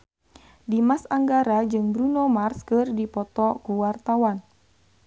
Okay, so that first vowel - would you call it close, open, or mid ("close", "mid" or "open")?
close